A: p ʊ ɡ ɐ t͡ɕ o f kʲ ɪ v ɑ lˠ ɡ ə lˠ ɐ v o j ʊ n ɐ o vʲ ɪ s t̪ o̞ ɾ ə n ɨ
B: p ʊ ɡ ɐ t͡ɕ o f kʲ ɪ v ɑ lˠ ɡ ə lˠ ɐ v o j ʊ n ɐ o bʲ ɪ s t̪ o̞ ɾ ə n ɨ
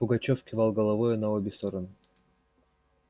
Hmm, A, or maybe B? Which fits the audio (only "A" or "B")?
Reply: B